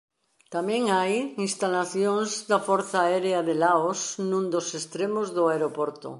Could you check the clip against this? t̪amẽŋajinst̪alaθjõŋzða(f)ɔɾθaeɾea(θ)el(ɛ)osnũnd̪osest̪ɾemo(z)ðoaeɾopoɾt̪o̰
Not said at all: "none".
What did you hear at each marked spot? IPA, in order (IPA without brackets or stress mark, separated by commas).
f, ð, a, z